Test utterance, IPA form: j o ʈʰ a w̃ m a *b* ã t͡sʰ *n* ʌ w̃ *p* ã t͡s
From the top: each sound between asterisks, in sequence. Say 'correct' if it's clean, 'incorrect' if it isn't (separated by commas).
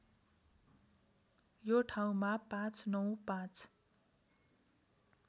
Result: incorrect, correct, correct